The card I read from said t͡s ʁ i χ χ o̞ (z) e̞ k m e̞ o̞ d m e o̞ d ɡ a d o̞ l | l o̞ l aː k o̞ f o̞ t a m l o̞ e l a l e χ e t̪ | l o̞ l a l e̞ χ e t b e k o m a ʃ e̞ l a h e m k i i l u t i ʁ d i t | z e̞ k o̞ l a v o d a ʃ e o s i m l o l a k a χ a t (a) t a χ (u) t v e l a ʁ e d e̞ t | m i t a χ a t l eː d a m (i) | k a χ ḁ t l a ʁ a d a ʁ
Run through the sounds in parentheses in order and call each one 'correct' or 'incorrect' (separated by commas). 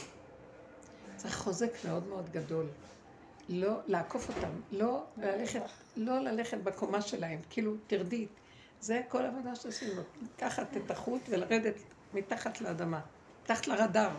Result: correct, incorrect, correct, incorrect